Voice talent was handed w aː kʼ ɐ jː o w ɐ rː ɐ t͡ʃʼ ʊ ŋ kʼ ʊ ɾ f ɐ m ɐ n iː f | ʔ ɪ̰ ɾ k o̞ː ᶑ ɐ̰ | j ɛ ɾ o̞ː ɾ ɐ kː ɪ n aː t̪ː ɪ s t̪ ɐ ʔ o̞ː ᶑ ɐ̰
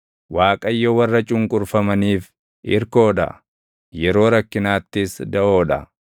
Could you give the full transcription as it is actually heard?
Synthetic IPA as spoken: w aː kʼ ɐ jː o w ɐ rː ɐ t͡ʃʼ ʊ ŋ kʼ ʊ ɾ f ɐ m ɐ n iː f | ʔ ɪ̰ ɾ k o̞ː ᶑ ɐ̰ | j ɛ ɾ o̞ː ɾ ɐ kː ɪ n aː t̪ː ɪ s d̪ ɐ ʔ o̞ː ᶑ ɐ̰